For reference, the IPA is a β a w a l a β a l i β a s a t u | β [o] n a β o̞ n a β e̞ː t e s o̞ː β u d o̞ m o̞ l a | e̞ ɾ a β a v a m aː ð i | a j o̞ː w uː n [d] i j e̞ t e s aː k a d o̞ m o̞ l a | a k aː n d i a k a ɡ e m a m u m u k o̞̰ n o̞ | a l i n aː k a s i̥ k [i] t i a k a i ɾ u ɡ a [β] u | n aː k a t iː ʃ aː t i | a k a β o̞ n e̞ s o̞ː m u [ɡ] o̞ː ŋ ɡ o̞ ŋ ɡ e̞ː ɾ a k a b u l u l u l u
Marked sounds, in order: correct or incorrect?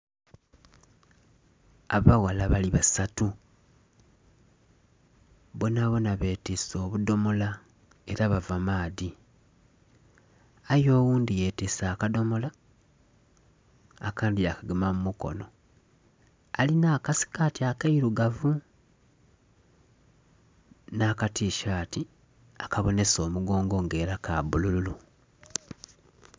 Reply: correct, correct, incorrect: a, incorrect: v, correct

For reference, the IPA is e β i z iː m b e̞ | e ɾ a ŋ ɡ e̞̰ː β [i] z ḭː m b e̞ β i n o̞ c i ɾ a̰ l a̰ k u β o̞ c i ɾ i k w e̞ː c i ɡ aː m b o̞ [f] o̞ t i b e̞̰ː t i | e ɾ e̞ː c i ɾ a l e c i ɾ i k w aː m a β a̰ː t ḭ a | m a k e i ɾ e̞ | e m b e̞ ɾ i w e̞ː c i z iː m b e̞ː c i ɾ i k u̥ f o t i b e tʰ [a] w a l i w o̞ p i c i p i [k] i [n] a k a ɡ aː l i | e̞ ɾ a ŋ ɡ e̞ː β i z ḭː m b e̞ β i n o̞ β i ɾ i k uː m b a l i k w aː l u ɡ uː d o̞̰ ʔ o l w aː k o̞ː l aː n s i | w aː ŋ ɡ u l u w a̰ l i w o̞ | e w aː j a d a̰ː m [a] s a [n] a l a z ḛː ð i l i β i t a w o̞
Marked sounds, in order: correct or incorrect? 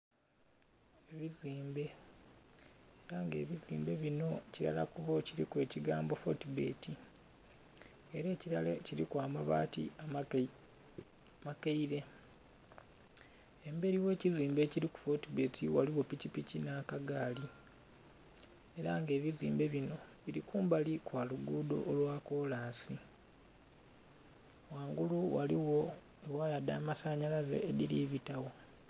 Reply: correct, correct, incorrect: i, incorrect: c, correct, correct, incorrect: ɲ

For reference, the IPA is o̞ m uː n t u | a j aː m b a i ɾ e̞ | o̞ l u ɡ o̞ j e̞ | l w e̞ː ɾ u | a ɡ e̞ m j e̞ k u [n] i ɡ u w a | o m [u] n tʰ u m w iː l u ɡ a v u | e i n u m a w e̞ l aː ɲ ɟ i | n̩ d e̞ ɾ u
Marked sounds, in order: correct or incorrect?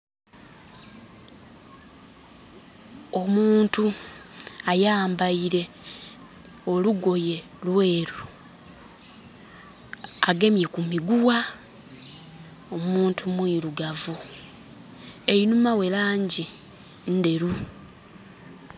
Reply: incorrect: m, incorrect: uː

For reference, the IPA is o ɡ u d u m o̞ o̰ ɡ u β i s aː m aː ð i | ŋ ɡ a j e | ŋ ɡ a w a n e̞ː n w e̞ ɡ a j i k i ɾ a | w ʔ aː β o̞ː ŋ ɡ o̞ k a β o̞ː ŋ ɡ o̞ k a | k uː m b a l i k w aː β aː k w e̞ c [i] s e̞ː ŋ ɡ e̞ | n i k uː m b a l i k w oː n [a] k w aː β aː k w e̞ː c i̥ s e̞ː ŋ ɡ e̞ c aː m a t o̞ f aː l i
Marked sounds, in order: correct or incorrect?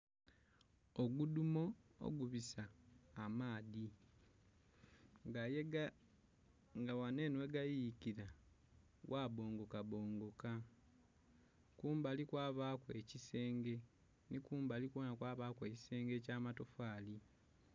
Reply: correct, correct

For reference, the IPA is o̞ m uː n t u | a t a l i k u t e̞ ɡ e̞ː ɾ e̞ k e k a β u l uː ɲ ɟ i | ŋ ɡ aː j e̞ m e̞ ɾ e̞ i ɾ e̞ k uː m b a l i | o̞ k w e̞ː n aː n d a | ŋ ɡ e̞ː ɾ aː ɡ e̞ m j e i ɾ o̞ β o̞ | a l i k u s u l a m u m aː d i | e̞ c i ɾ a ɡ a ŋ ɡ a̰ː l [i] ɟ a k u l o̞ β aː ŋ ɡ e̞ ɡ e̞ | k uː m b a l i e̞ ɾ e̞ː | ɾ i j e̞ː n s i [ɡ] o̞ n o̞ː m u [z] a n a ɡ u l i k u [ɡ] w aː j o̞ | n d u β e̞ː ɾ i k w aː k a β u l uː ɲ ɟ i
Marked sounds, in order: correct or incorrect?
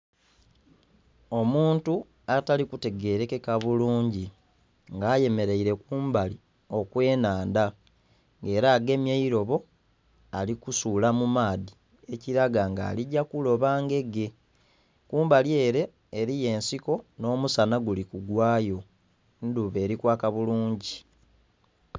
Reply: correct, incorrect: k, incorrect: s, correct

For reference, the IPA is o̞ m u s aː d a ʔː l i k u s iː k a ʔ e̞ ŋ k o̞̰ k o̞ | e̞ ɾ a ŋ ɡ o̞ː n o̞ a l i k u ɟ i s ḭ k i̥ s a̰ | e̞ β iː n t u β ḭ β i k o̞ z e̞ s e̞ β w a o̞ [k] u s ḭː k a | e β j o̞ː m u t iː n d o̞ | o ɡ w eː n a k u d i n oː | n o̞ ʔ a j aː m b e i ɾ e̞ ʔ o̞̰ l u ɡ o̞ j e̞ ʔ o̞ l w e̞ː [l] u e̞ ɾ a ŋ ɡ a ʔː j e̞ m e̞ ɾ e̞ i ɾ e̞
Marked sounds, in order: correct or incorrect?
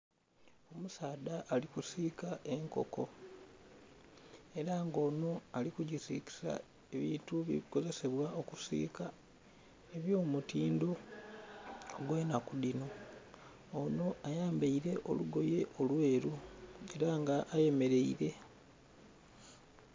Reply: correct, incorrect: ɾ

